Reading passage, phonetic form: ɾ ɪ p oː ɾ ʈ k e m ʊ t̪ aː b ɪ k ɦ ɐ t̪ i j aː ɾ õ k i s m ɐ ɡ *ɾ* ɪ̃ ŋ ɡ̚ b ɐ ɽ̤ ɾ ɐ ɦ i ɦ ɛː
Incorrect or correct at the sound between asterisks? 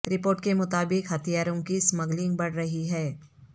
incorrect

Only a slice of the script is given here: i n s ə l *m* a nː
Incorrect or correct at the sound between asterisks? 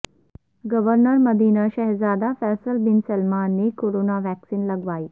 correct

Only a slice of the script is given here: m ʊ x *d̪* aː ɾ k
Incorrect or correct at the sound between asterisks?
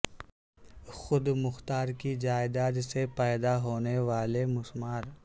incorrect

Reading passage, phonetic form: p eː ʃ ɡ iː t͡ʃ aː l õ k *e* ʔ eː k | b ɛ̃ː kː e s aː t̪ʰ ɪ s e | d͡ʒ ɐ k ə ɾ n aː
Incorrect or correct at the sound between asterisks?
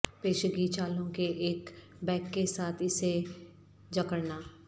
correct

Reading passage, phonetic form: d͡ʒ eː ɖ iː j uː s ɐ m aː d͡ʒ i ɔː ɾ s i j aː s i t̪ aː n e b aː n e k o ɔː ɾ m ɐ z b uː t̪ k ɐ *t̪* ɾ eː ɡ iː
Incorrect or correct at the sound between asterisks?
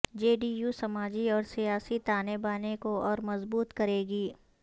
incorrect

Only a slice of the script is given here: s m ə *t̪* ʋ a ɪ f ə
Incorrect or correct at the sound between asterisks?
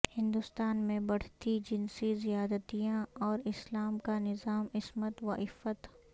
correct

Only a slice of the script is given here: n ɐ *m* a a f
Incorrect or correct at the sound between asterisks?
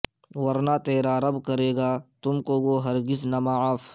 correct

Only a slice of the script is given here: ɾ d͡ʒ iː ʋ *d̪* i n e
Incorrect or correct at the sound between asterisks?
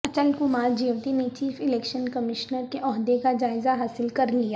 incorrect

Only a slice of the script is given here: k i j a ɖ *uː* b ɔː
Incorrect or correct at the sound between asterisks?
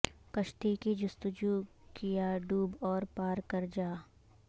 correct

